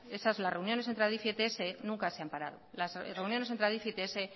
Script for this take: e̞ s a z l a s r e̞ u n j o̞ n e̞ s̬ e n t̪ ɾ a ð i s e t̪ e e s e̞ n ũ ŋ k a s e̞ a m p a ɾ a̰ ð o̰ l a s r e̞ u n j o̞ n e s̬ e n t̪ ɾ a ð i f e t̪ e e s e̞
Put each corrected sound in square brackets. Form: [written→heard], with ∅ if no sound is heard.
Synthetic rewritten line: e̞ s a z l a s r e̞ u n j o̞ n e̞ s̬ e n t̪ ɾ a ð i [s→f] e t̪ e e s e̞ n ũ ŋ k a s e̞ a m p a ɾ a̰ ð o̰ l a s r e̞ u n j o̞ n e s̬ e n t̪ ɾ a ð i f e t̪ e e s e̞